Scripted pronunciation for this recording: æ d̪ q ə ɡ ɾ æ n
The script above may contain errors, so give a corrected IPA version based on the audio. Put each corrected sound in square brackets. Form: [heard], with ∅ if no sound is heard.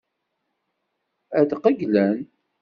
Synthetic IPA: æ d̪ q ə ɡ [l] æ n